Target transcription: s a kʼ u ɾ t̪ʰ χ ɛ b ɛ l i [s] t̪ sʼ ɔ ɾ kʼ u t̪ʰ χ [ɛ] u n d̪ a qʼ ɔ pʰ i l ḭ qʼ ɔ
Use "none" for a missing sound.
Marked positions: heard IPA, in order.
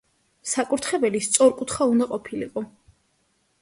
s, a

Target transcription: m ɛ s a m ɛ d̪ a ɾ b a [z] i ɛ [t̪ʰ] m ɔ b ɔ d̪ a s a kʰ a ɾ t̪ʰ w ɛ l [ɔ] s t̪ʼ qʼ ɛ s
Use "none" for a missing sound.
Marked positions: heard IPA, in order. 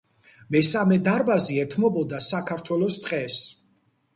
z, t̪ʰ, ɔ

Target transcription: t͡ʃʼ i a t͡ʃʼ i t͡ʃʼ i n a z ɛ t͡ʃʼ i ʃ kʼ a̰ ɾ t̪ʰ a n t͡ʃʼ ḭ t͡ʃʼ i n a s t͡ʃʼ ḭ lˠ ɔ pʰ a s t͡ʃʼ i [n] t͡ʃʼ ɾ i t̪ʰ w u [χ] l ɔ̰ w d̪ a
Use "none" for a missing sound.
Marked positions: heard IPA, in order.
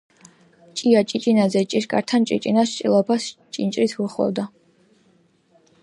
n, χ

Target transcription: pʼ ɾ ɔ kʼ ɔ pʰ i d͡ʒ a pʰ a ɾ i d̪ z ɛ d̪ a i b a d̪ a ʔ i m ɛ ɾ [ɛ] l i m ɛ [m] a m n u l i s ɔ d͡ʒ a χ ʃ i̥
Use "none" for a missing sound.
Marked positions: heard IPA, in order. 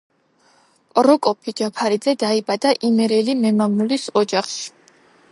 ɛ, m

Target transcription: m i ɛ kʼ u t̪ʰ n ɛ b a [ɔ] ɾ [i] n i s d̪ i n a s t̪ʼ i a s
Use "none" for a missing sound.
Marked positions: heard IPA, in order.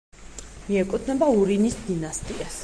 u, i

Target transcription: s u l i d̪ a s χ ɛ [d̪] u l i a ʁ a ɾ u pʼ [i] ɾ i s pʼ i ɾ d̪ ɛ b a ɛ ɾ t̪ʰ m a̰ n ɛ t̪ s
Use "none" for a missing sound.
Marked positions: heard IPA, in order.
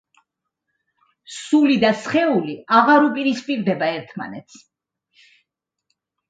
none, i

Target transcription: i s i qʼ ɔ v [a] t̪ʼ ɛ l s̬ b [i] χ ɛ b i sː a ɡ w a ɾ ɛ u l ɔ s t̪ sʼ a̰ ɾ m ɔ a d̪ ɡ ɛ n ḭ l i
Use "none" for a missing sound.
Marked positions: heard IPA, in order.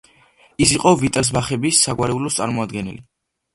i, a

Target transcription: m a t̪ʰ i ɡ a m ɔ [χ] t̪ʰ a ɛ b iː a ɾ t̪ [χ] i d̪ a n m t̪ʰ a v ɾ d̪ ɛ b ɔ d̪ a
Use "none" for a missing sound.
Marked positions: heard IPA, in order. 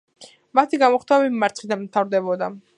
χ, χ

